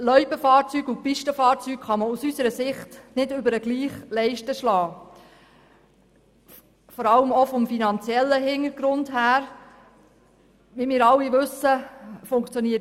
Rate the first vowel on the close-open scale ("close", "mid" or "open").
mid